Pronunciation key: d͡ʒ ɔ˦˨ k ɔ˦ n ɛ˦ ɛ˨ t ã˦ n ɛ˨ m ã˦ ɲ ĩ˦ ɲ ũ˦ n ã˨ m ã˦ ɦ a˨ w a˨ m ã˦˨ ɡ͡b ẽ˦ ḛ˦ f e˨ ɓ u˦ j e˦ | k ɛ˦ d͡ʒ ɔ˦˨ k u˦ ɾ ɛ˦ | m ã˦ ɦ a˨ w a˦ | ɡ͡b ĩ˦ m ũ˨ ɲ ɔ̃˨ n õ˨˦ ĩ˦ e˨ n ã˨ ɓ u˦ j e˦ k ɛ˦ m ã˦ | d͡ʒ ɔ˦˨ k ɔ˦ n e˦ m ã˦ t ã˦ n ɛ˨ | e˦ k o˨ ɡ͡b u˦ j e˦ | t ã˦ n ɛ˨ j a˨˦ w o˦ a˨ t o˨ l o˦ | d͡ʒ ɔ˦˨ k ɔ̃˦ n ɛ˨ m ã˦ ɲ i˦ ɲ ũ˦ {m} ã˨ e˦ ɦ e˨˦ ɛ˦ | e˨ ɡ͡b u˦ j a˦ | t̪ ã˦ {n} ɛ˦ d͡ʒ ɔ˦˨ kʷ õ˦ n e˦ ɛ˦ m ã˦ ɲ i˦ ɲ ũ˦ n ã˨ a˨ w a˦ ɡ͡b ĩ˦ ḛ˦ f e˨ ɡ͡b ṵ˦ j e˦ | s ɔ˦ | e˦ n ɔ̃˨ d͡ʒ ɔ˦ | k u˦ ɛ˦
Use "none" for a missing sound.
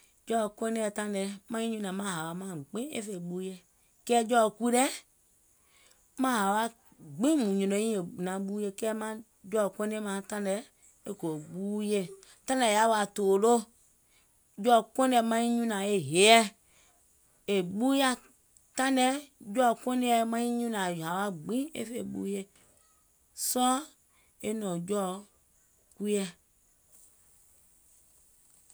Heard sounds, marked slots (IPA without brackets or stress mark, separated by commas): n, n